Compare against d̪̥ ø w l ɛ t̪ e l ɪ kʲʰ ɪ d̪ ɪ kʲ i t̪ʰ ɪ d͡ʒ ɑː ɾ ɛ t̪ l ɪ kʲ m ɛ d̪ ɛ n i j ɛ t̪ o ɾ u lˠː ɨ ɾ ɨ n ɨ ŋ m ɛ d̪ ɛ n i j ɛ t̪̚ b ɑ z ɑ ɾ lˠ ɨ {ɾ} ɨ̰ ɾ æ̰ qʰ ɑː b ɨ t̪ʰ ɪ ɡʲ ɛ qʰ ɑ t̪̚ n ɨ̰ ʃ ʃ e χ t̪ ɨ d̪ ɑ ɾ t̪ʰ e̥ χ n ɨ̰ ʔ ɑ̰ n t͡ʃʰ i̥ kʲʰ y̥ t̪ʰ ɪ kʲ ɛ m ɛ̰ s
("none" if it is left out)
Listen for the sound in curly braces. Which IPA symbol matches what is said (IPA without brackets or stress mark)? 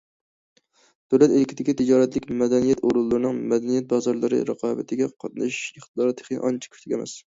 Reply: ɾ